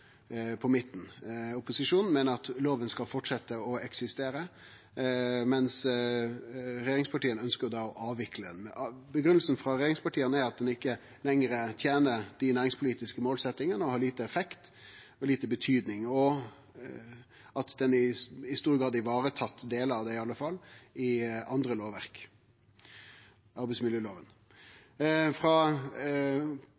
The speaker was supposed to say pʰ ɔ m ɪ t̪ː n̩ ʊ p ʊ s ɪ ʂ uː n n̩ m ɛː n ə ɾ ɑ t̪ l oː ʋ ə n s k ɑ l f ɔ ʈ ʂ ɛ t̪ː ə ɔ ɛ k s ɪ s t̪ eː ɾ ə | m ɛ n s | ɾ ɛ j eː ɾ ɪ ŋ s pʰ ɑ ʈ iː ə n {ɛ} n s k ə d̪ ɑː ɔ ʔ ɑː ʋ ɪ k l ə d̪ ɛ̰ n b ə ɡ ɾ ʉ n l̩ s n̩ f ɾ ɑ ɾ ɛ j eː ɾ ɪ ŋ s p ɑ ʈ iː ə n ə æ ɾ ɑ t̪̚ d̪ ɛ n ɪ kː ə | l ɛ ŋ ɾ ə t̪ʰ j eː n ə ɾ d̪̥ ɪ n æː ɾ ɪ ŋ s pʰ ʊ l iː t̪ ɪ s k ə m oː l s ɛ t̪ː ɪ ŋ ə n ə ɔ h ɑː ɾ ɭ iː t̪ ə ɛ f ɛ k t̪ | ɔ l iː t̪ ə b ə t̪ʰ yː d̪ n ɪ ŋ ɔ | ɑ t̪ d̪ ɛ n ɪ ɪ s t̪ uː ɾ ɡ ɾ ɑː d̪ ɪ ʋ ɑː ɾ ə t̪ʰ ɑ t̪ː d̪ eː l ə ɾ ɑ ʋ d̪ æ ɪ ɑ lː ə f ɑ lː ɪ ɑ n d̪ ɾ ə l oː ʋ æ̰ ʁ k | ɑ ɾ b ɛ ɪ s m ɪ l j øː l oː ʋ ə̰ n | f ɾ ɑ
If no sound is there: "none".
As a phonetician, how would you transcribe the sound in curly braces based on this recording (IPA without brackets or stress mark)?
œ